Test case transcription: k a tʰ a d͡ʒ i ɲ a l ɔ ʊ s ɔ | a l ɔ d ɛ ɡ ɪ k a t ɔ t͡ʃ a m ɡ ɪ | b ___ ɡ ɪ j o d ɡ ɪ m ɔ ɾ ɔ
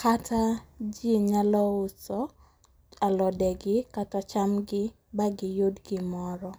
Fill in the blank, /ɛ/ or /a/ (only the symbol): a